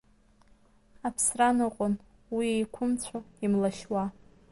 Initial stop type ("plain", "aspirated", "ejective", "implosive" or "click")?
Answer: aspirated